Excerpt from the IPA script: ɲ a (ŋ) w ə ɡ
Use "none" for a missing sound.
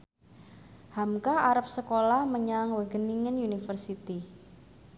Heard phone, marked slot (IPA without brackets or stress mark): ŋ